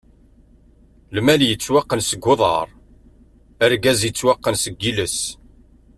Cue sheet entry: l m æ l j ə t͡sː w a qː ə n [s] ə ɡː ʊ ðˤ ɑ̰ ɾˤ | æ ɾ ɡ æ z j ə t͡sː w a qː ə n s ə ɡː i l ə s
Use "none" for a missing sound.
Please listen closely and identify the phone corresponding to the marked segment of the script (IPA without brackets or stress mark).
s